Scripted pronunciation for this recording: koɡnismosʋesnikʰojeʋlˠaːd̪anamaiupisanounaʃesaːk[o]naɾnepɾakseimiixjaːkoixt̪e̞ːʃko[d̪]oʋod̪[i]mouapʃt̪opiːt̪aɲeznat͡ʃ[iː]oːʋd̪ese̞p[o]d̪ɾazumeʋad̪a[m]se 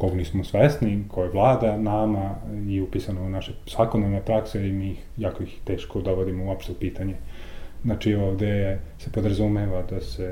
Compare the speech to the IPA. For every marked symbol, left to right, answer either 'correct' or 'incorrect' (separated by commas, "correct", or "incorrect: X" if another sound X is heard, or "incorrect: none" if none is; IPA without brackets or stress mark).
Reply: correct, correct, correct, incorrect: i, correct, incorrect: none